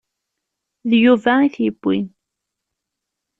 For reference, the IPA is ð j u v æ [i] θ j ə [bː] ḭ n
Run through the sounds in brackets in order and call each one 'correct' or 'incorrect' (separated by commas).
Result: correct, correct